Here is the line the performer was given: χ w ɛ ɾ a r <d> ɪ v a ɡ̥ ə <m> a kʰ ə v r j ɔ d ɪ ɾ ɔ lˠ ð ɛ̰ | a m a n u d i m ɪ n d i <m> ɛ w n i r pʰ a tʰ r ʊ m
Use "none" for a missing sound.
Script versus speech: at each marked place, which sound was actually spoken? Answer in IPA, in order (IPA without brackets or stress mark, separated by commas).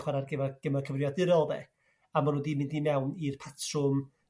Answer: ɡ, m, m